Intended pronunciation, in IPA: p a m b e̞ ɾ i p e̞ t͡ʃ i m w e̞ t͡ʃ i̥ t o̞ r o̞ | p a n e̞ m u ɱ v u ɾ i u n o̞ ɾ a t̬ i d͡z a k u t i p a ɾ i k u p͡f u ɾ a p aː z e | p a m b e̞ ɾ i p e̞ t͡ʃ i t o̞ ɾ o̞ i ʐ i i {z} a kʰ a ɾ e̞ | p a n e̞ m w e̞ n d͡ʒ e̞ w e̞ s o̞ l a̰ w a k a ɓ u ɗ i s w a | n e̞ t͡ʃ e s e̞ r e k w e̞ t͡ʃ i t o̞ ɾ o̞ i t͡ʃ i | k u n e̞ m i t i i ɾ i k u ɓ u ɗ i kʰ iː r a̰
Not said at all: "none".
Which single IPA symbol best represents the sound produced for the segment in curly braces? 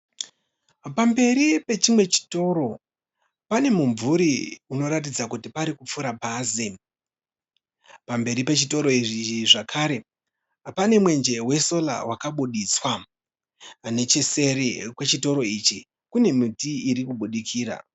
ʐ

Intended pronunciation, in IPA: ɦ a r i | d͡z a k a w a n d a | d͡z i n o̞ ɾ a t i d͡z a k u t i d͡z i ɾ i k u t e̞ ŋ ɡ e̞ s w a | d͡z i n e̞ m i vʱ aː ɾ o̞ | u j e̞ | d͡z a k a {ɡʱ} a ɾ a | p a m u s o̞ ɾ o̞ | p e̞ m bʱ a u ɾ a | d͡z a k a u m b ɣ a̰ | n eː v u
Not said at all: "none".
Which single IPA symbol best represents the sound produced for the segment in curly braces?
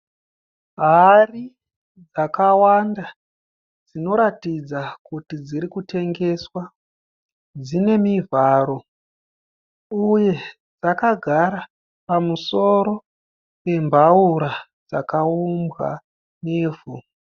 ɡʱ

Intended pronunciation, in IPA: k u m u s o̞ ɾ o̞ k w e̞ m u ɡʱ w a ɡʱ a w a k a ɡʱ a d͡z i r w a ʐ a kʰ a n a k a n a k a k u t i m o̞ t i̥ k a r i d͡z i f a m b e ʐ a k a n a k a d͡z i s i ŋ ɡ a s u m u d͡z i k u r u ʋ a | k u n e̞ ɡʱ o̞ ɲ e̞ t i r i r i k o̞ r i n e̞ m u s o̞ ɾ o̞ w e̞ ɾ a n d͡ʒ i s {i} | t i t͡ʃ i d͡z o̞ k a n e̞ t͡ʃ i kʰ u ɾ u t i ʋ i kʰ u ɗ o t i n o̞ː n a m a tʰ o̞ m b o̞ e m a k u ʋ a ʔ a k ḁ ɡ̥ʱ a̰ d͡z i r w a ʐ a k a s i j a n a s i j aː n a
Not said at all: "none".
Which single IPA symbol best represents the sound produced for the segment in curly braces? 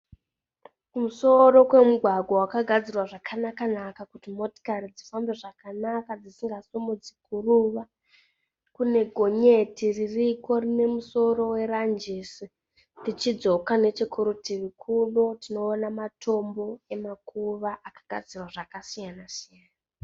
i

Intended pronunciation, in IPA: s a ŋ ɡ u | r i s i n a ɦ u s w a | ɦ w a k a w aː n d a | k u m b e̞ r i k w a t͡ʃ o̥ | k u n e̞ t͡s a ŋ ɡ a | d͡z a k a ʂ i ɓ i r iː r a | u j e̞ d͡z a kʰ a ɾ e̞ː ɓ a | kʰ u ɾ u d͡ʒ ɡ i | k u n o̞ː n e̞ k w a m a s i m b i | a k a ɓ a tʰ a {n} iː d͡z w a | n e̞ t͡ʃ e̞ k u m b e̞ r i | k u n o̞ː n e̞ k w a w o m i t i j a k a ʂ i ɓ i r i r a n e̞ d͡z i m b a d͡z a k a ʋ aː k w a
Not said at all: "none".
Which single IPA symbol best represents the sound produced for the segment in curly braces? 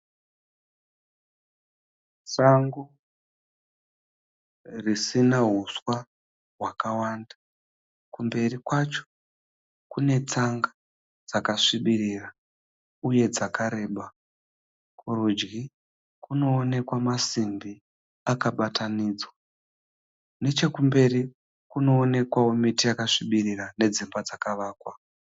n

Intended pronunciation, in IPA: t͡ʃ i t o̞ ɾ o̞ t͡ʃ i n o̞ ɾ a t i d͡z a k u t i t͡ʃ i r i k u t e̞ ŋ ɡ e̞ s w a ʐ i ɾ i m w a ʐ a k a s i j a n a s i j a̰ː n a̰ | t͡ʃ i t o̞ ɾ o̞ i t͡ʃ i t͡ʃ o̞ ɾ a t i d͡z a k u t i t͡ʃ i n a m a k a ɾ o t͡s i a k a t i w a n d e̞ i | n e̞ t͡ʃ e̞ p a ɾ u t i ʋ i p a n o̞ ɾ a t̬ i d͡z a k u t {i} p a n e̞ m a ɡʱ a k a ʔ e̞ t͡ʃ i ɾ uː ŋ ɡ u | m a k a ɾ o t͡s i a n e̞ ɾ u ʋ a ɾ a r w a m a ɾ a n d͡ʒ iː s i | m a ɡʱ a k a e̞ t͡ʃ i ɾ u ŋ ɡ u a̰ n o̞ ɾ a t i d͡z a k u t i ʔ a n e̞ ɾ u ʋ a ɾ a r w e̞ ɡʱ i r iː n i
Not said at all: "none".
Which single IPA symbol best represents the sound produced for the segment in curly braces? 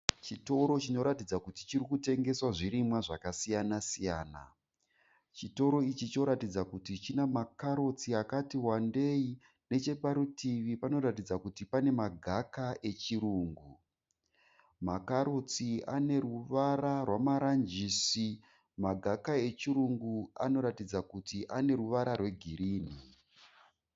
i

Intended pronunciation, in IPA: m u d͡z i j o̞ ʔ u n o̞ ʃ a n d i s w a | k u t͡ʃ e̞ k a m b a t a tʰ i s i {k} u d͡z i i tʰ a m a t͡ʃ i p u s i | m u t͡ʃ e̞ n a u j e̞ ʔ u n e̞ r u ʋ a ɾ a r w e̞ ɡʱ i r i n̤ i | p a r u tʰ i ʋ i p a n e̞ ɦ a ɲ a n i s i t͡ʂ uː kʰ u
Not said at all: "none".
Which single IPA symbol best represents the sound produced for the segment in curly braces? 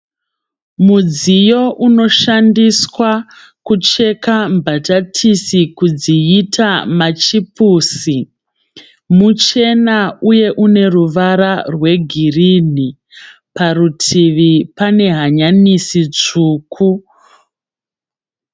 k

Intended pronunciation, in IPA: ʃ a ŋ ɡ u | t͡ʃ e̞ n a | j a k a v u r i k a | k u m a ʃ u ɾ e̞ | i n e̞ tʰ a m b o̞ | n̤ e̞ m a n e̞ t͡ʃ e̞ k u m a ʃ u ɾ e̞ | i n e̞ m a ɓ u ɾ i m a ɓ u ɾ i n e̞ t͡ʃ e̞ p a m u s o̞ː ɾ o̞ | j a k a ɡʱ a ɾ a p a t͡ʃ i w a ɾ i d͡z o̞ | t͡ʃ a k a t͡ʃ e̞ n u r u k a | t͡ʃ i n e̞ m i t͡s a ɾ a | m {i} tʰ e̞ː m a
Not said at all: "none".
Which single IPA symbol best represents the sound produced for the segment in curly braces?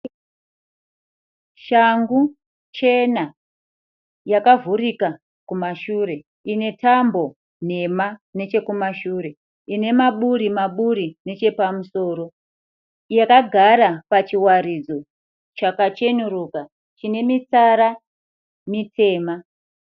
i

